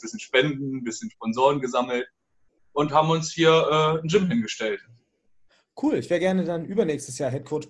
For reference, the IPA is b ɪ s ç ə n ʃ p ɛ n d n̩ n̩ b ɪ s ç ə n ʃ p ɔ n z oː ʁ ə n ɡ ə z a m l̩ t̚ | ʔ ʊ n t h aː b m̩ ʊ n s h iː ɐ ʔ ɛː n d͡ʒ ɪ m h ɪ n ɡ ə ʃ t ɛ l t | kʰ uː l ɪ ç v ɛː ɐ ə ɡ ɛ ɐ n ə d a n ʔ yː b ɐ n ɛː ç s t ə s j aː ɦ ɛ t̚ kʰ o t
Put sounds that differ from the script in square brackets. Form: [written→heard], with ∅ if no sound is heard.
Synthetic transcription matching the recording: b ɪ s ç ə n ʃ p ɛ n d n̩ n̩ b ɪ s ç ə n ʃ p ɔ n z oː ʁ ə n ɡ ə z a m l̩ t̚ | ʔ ʊ n t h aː b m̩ ʊ n s h iː ɐ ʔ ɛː n d͡ʒ ɪ m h ɪ n ɡ ə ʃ t ɛ l t | kʰ uː l ɪ ç v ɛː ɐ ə ɡ ɛ ɐ n ə d a n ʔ yː b ɐ n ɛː ç s t ə s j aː ɦ ɛ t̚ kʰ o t